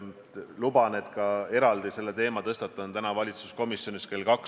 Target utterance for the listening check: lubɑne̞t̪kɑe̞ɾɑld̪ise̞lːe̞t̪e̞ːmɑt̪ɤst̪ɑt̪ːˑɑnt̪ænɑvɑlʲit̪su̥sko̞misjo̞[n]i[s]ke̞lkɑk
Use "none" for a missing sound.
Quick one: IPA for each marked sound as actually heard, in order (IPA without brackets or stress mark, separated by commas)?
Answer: n, s